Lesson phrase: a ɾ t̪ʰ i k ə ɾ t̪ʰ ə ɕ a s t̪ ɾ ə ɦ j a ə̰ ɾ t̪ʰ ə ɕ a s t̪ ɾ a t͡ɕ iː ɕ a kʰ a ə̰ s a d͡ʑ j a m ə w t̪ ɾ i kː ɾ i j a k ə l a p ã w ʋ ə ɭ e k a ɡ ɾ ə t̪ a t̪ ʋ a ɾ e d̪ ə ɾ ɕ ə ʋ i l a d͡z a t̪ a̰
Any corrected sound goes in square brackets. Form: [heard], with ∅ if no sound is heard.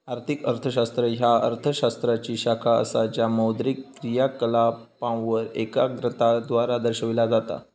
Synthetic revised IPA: a ɾ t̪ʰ i k ə ɾ t̪ʰ ə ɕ a s t̪ ɾ ə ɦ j a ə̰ ɾ t̪ʰ ə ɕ a s t̪ ɾ a t͡ɕ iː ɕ a kʰ a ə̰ s a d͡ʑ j a m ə w [d̪] ɾ i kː ɾ i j a k ə l a p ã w ʋ ə [ɾ] e k a ɡ ɾ ə t̪ a [d̪] ʋ a ɾ [a] d̪ ə ɾ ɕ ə ʋ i l a d͡z a t̪ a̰